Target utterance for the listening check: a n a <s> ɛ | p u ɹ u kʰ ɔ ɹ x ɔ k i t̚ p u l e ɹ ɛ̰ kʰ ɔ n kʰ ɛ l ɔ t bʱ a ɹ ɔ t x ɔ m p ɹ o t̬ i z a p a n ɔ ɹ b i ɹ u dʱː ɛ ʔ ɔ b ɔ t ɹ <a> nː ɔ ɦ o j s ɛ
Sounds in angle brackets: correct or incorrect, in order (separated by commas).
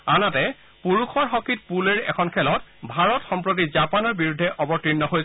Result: incorrect, incorrect